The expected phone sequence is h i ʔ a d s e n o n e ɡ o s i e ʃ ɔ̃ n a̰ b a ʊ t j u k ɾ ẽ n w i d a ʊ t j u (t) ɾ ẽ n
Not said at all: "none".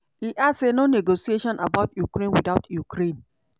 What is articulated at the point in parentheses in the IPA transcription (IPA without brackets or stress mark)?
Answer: k